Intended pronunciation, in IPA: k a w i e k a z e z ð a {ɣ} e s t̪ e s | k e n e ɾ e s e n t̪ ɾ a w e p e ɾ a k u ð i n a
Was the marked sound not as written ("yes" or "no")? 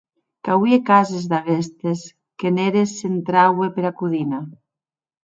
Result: no